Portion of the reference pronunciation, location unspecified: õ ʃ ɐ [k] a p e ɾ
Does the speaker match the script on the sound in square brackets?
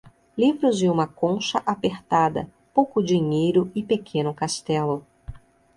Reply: no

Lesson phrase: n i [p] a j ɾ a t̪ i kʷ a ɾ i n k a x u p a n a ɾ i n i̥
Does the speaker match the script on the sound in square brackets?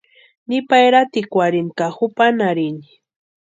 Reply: yes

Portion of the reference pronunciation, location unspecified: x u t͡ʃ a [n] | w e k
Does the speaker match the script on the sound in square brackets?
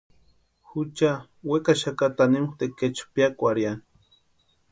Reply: no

